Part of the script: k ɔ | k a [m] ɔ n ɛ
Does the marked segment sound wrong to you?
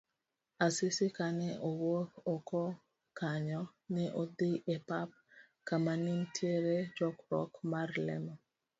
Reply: yes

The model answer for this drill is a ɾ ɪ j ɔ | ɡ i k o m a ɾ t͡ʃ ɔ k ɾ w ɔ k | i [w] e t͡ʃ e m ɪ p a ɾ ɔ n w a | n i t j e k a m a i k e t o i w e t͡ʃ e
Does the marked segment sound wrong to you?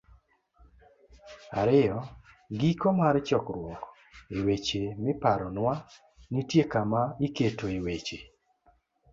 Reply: no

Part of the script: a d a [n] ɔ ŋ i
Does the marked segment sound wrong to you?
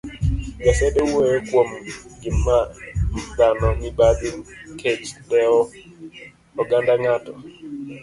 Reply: no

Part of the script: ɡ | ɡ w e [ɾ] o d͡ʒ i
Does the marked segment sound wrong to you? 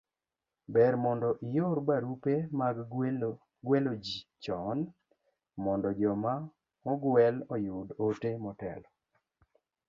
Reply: yes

